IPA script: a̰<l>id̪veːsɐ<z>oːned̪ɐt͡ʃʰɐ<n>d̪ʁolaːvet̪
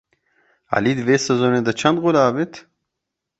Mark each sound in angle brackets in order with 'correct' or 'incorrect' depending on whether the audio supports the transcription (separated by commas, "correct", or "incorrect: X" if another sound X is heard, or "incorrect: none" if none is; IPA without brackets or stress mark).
correct, correct, correct